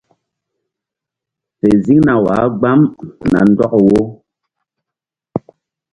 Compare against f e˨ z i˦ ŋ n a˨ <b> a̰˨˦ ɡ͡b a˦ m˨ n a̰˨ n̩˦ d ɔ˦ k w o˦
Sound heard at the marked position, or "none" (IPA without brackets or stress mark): w